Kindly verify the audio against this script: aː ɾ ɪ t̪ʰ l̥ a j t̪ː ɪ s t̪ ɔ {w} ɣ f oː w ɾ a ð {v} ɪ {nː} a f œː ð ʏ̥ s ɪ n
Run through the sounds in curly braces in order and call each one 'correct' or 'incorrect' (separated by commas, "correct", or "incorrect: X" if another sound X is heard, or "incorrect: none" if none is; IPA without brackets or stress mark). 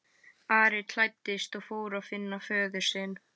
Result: incorrect: none, incorrect: f, correct